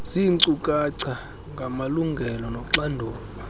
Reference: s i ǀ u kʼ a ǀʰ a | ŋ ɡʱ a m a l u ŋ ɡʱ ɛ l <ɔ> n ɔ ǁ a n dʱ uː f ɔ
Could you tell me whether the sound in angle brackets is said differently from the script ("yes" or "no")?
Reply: no